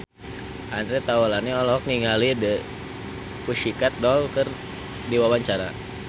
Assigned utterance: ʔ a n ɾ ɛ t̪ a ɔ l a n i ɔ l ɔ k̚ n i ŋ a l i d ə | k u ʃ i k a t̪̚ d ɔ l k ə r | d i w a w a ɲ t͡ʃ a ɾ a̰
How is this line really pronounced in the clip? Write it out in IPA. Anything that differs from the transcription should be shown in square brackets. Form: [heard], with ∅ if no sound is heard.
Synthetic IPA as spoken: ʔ a n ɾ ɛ t̪ a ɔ l a n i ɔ l ɔ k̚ n i ŋ a l i d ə | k u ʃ i k a t̪̚ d ɔ l k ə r | d i w a w a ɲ t͡ʃ a ɾ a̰